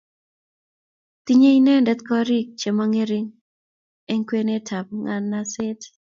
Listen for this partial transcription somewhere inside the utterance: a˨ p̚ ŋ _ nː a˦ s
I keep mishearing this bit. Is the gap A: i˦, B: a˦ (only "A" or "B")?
B